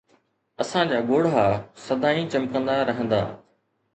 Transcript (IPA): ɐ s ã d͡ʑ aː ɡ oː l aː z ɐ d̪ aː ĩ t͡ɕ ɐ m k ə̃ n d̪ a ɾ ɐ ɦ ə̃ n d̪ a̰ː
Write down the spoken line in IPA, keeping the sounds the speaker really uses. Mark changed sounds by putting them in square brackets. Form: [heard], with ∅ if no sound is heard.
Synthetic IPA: ɐ s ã d͡ʑ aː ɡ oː [ɽ] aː [s] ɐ d̪ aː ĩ t͡ɕ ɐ m k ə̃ n d̪ a ɾ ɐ ɦ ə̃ n d̪ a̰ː